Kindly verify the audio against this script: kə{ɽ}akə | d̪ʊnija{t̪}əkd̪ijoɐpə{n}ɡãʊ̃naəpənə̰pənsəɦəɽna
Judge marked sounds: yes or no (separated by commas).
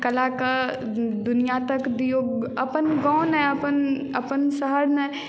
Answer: no, yes, yes